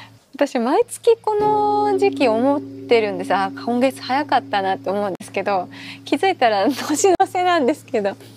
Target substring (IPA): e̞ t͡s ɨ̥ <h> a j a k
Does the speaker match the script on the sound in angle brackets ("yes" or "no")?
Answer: yes